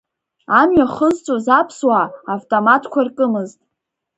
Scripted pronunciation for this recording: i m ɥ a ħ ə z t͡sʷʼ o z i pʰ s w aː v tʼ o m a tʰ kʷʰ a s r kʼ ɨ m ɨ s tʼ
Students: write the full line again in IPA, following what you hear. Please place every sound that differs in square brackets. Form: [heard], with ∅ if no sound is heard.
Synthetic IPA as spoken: [a] m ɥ a [χ] ə z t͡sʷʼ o z [a] pʰ s w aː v tʼ o m a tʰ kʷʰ a [∅] r kʼ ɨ m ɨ [z] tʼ